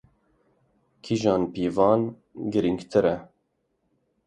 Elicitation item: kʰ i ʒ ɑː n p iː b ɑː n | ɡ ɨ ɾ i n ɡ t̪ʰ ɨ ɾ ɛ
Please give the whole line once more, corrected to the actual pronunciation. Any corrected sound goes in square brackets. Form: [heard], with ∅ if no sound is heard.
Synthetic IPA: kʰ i ʒ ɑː n p iː [v] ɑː n | ɡ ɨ ɾ i [ŋ] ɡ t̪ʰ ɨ ɾ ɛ

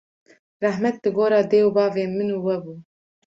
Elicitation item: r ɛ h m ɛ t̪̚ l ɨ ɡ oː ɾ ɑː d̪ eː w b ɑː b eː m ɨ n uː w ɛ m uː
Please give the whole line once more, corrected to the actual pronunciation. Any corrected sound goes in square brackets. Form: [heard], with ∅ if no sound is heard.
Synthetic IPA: r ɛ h m ɛ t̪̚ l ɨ ɡ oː ɾ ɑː d̪ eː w b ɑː [v] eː m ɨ n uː w ɛ [b] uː

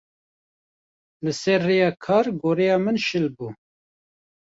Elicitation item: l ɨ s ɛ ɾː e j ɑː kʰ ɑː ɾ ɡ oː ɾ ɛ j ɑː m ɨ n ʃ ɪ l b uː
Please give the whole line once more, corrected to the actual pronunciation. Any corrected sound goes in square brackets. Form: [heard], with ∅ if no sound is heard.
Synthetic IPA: l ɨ s ɛ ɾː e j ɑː kʰ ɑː ɾ ɡ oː ɾ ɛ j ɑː m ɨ n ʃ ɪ l b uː

